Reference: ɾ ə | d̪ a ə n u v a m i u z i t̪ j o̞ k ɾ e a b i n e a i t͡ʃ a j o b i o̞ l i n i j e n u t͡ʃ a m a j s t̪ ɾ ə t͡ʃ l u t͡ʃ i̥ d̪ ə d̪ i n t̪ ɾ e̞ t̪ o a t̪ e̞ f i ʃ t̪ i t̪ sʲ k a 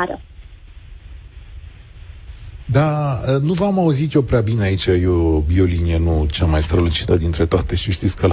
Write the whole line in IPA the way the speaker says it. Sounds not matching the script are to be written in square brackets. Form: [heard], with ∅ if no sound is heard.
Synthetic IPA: ɾ ə | d̪ a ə n u v a m [a] u z i t̪ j o̞ [p] ɾ e a b i n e a i t͡ʃ a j o b i o̞ l i n i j e n u t͡ʃ a m a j s t̪ ɾ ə [∅] l u t͡ʃ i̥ [t̪] ə d̪ i n t̪ ɾ e̞ t̪ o a t̪ e̞ [ʃ] i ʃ t̪ i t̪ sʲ k [ə]